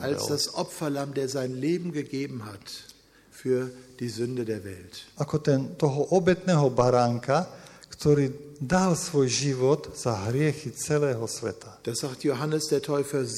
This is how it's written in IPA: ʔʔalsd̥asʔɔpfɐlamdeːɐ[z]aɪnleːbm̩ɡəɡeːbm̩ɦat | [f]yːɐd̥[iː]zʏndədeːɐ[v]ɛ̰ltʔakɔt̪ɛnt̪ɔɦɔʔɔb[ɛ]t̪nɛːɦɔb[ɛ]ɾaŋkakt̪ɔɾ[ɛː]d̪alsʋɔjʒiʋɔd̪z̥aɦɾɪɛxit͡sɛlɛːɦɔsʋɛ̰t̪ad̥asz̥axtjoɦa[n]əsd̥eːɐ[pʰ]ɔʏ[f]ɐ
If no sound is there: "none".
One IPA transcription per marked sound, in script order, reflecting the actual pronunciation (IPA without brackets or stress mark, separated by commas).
z, f, iː, v, ɛ, a, iː, n, tʰ, f